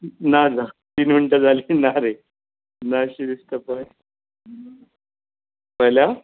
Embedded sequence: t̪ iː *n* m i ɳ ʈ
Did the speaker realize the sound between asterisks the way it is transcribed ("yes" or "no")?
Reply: yes